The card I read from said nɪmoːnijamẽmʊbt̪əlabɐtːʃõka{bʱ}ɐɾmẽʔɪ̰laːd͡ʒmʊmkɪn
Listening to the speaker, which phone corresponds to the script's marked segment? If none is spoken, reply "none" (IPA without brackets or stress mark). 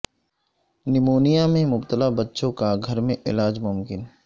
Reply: ɡʱ